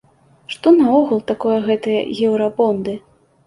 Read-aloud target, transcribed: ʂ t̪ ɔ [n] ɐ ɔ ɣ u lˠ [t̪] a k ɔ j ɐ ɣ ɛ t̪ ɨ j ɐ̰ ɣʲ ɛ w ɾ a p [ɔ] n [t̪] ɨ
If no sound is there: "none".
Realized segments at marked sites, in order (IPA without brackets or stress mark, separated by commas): n, t̪, ɔ, d̪